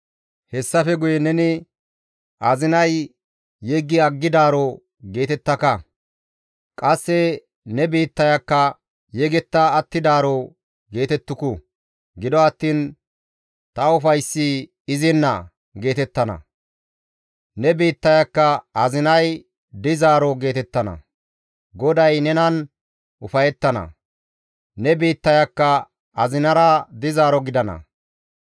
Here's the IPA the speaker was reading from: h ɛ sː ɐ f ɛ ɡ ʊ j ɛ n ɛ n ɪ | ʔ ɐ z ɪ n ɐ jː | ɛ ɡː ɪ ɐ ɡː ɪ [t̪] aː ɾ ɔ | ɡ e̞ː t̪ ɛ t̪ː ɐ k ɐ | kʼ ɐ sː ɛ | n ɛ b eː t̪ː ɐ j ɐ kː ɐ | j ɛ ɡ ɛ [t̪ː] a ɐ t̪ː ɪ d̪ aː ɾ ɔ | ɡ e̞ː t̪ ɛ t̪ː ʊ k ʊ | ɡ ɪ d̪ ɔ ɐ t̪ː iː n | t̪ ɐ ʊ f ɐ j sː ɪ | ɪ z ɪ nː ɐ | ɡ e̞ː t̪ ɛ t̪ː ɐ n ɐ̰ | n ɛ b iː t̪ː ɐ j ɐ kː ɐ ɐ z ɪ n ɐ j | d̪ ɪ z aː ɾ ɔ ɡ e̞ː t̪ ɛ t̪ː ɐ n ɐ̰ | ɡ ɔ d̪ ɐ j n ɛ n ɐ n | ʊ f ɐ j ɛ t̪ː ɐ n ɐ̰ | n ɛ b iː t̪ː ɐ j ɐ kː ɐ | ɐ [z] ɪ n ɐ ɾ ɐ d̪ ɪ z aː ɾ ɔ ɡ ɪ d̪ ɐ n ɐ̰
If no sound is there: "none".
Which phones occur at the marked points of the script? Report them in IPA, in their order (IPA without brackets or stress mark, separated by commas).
d̪, t̪ː, z